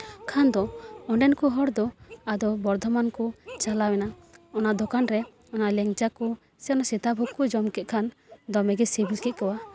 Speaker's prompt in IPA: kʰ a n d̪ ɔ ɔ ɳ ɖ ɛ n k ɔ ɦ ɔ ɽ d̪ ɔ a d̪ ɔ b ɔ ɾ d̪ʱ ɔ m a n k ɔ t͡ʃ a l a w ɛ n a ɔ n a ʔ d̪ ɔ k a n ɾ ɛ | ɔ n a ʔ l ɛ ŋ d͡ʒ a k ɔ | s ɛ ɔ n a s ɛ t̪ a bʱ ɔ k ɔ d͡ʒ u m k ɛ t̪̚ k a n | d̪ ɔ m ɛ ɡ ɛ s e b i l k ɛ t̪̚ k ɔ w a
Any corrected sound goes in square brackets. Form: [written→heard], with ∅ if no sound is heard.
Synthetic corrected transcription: kʰ a n d̪ ɔ ɔ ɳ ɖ ɛ n k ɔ ɦ ɔ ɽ d̪ ɔ a d̪ ɔ b ɔ ɾ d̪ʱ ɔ m a n k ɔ t͡ʃ a l a w ɛ n a ɔ n a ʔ d̪ ɔ k a n ɾ ɛ | ɔ n a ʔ l ɛ ŋ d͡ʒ a k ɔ | s ɛ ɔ n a s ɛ t̪ a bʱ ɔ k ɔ d͡ʒ [u→ɔ] m k ɛ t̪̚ [k→kʰ] a n | d̪ ɔ m ɛ ɡ ɛ s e b i l k ɛ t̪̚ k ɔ w a